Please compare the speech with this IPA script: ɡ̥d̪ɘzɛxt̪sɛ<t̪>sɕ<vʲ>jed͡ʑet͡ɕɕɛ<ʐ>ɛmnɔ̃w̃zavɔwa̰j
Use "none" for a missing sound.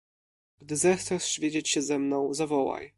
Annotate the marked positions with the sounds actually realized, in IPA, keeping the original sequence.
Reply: none, vʲ, z

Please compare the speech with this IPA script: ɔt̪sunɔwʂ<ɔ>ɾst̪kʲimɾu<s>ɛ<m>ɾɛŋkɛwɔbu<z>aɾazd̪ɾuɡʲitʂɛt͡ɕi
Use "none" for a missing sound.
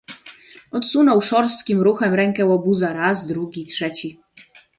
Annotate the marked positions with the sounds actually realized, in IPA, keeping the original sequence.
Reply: ɔ, x, m, z

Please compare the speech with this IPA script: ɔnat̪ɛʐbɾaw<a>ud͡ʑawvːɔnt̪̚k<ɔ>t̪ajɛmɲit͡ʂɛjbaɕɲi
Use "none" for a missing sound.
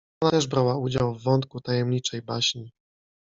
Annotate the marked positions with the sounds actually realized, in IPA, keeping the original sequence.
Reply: a, u

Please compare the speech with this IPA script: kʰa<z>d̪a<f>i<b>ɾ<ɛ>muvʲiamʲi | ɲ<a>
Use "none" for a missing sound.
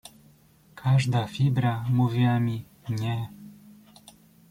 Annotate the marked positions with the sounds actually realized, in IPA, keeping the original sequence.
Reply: ʐ, f, b, a, ɛ

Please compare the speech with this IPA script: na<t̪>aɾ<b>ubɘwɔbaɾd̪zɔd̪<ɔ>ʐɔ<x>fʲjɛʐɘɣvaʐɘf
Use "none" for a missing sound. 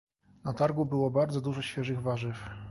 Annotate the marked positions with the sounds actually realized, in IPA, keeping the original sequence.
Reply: t̪, ɡ, u, ɕ

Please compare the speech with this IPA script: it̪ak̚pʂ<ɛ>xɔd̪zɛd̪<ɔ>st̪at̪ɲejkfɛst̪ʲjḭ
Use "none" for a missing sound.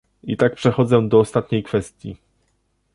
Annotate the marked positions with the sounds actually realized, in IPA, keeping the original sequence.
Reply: ɛ, ɔː

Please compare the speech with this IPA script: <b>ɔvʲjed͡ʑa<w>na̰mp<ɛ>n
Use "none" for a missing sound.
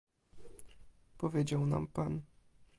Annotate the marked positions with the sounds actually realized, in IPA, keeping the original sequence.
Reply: p, w, a

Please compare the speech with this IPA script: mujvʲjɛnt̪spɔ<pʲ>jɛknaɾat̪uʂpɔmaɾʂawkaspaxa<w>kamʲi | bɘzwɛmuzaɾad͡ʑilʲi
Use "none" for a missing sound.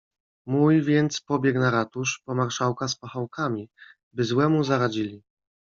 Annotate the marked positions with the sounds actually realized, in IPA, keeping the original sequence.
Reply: bʲ, w

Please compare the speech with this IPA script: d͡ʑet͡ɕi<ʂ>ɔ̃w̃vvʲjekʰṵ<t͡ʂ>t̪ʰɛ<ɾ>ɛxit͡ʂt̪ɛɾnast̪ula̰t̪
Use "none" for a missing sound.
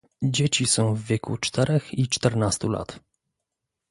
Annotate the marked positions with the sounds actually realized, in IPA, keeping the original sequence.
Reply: s, t͡ʂ, ɾ

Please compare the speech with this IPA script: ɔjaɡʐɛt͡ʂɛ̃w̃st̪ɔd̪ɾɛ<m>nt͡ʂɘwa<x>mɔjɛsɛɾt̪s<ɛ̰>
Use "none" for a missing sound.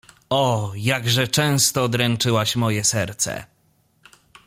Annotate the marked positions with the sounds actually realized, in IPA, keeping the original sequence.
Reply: none, ɕ, ɛ̰

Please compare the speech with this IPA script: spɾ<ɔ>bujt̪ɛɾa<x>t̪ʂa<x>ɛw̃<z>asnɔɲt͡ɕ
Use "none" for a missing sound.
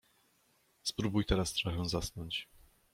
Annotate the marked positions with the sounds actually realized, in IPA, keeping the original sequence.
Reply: u, s, x, z

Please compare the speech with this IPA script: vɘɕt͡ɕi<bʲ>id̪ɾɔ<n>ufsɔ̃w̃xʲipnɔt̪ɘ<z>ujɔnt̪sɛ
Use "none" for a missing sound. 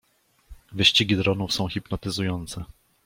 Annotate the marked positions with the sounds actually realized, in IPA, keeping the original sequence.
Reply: ɡʲ, n, z

